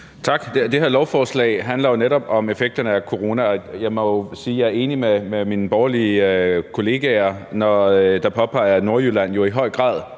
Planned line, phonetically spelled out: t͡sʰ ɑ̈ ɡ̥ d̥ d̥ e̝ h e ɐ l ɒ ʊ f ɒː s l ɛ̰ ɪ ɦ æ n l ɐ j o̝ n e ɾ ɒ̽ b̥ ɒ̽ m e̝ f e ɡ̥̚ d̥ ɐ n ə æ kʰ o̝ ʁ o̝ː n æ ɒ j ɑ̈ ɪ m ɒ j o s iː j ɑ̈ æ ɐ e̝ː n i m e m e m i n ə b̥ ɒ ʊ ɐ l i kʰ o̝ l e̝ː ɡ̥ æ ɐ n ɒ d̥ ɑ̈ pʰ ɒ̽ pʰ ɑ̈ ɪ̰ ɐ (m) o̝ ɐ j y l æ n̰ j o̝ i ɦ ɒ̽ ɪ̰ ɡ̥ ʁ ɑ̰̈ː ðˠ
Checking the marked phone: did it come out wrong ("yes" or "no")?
yes